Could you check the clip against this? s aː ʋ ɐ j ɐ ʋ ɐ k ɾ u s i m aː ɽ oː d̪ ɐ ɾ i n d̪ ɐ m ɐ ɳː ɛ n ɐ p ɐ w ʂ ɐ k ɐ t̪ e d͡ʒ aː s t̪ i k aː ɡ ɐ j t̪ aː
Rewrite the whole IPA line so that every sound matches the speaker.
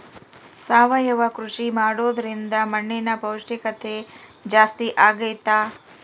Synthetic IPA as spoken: s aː ʋ ɐ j ɐ ʋ ɐ k ɾ u ʂ i m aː ɽ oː d̪ ɐ ɾ i n d̪ ɐ m ɐ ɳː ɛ n ɐ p ɐ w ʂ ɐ k ɐ t̪ e d͡ʒ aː s t̪ i ʔ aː ɡ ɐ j t̪ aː